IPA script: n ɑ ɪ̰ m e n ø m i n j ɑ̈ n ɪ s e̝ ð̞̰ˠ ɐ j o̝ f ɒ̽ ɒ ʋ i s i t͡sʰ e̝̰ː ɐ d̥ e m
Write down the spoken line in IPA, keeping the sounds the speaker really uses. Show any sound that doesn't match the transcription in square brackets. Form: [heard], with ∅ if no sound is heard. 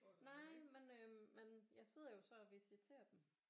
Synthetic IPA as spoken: n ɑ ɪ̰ m e n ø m [e] n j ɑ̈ [∅] ɪ s e̝ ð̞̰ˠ ɐ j o̝ [s] ɒ̽ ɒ ʋ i s i t͡sʰ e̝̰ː ɐ d̥ e m